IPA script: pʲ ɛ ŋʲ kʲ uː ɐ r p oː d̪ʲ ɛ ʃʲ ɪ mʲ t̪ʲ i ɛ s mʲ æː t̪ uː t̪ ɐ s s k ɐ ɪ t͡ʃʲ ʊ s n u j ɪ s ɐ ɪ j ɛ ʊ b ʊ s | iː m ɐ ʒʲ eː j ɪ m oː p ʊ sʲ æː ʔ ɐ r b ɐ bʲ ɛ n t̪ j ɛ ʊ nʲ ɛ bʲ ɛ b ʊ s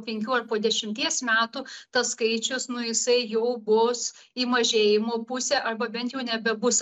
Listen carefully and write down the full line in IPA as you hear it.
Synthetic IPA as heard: pʲ ɛ ŋʲ kʲ uː ɐ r p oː d̪ʲ ɛ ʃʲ ɪ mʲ t̪ʲ i ɛ s mʲ æː t̪ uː t̪ ɐ s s k ɐ ɪ t͡ʃʲ ʊ s n ʊ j ɪ s ɐ ɪ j ɛ ʊ b ʊ s | iː m ɐ ʒʲ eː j ɪ m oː p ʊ sʲ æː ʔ ɐ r b ɐ bʲ ɛ n t̪ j ɛ ʊ nʲ ɛ bʲ ɛ b ʊ s